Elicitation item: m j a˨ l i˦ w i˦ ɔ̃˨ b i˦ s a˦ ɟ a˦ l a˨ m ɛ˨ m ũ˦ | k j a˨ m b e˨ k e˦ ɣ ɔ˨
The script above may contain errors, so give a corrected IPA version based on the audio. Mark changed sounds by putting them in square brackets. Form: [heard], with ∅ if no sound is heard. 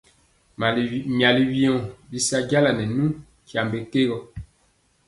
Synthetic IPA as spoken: m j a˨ l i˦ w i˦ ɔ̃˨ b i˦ s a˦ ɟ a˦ l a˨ [n] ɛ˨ [n] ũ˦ | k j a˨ m b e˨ k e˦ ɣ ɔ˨